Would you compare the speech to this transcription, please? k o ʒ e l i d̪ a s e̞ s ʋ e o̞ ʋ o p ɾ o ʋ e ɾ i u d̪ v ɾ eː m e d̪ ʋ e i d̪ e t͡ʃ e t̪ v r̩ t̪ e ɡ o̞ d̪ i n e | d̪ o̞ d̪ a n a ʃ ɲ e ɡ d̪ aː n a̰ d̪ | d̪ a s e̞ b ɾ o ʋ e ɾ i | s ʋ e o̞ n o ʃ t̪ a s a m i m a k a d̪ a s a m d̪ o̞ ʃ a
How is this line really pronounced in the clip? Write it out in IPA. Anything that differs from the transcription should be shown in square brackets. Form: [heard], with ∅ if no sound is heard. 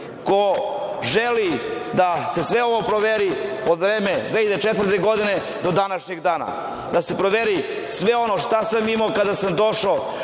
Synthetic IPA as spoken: k o ʒ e l i d̪ a s e̞ s ʋ e o̞ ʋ o p ɾ o ʋ e ɾ i [o] d̪ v ɾ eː m e d̪ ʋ e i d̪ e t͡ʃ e t̪ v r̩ t̪ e ɡ o̞ d̪ i n e | d̪ o̞ d̪ a n a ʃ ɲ e ɡ d̪ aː n a̰ [∅] | d̪ a s e̞ [p] ɾ o ʋ e ɾ i | s ʋ e o̞ n o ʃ t̪ a s a m i m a k a d̪ a s a m d̪ o̞ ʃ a

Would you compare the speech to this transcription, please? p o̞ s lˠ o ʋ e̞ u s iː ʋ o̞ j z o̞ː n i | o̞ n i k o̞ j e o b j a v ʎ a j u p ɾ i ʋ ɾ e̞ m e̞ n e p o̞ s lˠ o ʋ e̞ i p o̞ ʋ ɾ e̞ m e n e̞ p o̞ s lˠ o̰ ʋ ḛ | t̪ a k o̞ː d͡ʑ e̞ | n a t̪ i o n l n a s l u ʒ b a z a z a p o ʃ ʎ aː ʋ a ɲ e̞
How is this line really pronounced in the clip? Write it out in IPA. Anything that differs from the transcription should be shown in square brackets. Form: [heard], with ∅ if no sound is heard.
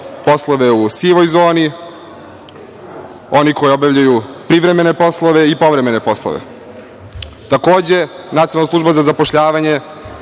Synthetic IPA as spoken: p o̞ s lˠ o ʋ e̞ u s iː ʋ o̞ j z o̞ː n i | o̞ n i k o̞ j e o b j a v ʎ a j u p ɾ i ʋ ɾ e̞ m e̞ n e p o̞ s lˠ o ʋ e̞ i p o̞ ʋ ɾ e̞ m e n e̞ p o̞ s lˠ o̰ ʋ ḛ | t̪ a k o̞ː d͡ʑ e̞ | n a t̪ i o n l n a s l u ʒ b a z a z a p o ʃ ʎ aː ʋ a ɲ e̞

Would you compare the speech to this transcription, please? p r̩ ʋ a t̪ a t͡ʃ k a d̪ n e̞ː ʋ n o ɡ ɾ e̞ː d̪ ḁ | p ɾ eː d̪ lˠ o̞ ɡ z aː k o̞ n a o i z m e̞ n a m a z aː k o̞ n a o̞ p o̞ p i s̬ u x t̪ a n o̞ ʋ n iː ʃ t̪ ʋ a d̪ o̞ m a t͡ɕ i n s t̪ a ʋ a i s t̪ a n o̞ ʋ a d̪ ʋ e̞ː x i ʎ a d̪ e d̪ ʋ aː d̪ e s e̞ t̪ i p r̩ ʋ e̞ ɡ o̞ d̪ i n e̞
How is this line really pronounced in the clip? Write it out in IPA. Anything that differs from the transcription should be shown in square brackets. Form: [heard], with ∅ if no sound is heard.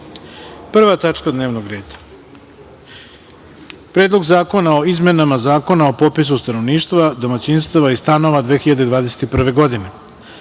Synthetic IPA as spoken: p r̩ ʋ a t̪ a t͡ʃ k a d̪ n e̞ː ʋ n o ɡ ɾ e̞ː d̪ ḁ | p ɾ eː d̪ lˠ o̞ ɡ z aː k o̞ n a o i z m e̞ n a m a z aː k o̞ n a o̞ p o̞ p i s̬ u [s] t̪ a n o̞ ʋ n iː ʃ t̪ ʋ a d̪ o̞ m a t͡ɕ i n s t̪ a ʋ a i s t̪ a n o̞ ʋ a d̪ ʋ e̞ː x i ʎ a d̪ e d̪ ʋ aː d̪ e s e̞ t̪ i p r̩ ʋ e̞ ɡ o̞ d̪ i n e̞

